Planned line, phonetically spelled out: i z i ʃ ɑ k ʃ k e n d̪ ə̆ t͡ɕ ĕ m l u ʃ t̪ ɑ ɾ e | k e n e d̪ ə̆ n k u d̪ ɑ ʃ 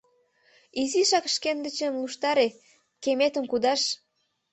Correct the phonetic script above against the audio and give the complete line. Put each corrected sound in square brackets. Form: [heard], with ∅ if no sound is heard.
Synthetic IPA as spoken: i z i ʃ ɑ k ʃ k e n d̪ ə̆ t͡ɕ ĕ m l u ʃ t̪ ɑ ɾ e | k e [m] e [t̪] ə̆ [m] k u d̪ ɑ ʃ